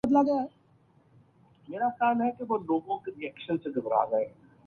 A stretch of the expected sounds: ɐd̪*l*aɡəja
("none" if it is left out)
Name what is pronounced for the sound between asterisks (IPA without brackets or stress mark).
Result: l